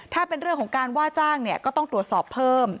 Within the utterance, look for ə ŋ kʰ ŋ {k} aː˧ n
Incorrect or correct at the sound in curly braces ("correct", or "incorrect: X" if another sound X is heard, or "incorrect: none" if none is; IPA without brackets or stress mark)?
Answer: correct